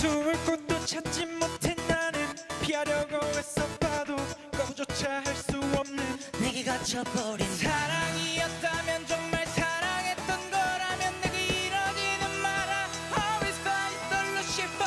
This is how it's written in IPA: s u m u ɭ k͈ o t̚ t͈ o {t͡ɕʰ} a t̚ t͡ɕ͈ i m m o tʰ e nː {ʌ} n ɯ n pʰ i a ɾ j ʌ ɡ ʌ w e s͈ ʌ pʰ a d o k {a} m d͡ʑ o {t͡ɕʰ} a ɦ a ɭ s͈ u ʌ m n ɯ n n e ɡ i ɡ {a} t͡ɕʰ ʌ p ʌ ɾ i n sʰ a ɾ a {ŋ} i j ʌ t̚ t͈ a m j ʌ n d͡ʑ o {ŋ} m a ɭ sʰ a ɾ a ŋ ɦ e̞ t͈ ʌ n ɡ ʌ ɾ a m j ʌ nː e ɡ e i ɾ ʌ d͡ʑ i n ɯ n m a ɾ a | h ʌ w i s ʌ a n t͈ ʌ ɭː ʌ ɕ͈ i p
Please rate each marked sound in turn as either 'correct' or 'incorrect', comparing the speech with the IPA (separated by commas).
correct, incorrect, incorrect, correct, correct, correct, correct